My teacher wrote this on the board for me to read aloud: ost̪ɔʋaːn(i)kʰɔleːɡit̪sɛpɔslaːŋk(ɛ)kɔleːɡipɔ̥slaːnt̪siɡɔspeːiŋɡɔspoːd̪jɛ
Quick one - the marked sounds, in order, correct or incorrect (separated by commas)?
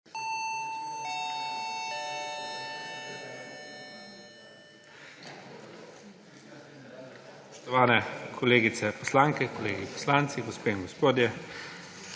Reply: incorrect, correct